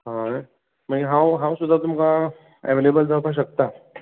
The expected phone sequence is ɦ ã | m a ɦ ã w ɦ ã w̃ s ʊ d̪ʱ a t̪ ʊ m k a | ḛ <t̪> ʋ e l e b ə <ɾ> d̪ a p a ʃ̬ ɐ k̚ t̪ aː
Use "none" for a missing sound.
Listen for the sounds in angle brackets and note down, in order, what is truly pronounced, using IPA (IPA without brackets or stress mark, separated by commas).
none, l